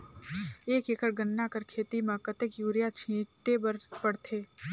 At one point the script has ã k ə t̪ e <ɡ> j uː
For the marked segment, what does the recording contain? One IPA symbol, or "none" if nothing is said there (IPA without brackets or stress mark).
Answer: k